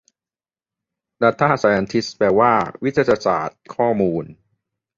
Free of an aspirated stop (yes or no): no